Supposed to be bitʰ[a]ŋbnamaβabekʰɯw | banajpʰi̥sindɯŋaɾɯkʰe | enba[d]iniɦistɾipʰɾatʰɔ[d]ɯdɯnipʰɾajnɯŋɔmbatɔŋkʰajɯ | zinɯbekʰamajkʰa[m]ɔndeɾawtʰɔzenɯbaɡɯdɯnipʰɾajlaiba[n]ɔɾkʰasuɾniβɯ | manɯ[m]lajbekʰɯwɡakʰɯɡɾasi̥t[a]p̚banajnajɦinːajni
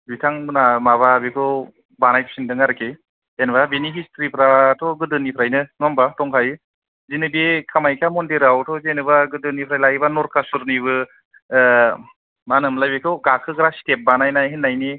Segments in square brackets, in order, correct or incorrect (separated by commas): correct, incorrect, incorrect, correct, correct, correct, incorrect